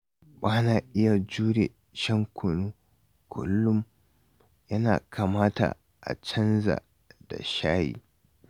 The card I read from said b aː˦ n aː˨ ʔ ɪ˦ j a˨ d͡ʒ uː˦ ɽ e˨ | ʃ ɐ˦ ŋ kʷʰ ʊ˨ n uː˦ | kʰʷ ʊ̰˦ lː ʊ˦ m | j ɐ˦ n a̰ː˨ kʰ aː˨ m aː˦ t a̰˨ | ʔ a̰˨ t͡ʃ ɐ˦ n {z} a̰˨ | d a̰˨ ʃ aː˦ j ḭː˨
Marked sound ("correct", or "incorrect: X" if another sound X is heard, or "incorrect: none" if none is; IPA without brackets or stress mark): correct